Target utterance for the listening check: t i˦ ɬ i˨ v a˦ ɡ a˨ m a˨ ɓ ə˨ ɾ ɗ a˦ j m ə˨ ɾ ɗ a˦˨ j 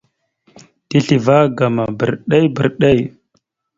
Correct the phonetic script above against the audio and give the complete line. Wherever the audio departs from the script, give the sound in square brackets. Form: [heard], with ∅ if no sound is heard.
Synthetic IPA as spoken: t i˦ ɬ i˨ v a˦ ɡ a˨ m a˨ [b] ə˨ ɾ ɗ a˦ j [b] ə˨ ɾ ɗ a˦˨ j